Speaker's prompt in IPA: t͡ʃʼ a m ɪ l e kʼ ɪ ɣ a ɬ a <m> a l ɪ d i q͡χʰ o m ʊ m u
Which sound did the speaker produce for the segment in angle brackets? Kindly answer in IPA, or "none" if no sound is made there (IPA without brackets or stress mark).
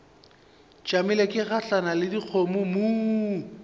n